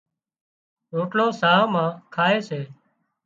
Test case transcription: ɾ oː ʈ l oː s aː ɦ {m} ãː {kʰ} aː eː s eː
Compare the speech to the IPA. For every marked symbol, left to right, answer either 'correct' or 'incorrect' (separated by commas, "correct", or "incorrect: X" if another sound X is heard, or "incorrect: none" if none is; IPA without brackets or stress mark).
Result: correct, correct